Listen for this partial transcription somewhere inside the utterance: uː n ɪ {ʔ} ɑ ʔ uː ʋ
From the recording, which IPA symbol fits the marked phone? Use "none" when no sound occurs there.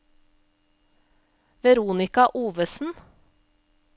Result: k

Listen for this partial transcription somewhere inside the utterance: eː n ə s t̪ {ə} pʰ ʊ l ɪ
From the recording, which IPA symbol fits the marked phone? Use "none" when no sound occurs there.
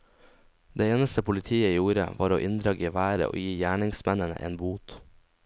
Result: ə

